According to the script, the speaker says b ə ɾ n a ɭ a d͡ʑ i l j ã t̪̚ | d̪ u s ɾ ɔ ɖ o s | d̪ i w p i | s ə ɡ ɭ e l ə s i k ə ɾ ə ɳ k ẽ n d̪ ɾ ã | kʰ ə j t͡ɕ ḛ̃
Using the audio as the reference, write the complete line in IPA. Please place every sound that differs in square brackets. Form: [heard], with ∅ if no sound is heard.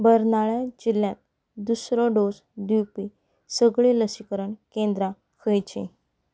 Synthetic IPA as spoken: b ə ɾ n a ɭ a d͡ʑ i l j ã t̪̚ | d̪ u s ɾ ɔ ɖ o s | d̪ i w p i | s ə ɡ ɭ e l ə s i k ə ɾ ə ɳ k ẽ n d̪ ɾ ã | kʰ ə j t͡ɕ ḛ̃